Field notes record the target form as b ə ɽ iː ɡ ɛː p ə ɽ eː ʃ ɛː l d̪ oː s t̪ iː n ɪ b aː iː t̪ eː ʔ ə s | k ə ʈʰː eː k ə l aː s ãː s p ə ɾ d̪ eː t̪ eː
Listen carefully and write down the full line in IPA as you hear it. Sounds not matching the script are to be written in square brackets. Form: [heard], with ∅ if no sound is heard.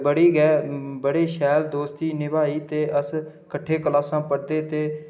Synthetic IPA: b ə ɽ iː ɡ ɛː [b] ə ɽ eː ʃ ɛː l d̪ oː s t̪ iː n ɪ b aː iː t̪ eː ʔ ə s | k ə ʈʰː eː k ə l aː s ãː [∅] p ə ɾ d̪ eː t̪ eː

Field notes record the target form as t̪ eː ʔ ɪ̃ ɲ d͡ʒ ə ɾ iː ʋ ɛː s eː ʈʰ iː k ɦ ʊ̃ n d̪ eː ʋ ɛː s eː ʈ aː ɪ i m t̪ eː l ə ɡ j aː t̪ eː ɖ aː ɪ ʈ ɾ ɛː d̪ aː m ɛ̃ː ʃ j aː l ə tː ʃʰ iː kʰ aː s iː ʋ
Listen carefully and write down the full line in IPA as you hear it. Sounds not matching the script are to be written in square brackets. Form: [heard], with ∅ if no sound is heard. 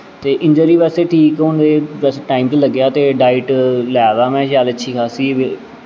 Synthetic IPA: t̪ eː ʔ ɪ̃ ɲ d͡ʒ ə ɾ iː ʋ ɛː s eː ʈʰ iː k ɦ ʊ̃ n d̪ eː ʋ ɛː s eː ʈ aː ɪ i m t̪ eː l ə ɡ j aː t̪ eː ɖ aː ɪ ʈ [l] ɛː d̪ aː m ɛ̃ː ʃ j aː l ə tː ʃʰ iː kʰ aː s iː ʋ

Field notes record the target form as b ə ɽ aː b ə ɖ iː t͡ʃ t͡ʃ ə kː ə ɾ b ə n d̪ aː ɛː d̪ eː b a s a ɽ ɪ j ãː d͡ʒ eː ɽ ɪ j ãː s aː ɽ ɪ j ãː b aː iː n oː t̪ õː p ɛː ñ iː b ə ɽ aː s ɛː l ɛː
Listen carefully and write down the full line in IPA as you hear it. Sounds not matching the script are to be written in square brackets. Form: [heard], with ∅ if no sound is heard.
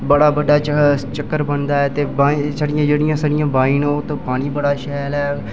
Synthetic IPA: b ə ɽ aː b ə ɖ [aː] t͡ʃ t͡ʃ ə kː ə ɾ b ə n d̪ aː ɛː [t̪] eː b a s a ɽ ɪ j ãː d͡ʒ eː ɽ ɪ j ãː s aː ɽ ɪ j ãː b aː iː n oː t̪ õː p [aː] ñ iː b ə ɽ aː [ʃ] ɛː l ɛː

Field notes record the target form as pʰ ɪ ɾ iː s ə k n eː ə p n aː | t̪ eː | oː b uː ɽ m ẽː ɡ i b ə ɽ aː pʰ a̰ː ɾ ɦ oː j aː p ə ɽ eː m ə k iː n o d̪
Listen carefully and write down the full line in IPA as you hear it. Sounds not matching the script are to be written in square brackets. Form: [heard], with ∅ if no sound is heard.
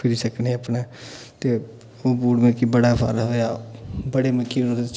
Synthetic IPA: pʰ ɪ ɾ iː s ə k n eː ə p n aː | t̪ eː | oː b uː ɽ m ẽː [k] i b ə ɽ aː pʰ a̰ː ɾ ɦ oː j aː [b] ə ɽ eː m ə k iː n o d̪

